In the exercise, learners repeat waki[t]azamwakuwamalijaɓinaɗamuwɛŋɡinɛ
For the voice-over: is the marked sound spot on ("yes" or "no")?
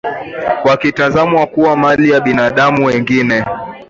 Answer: yes